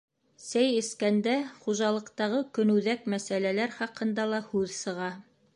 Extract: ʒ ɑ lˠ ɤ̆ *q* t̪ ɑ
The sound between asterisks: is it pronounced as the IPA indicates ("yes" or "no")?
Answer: yes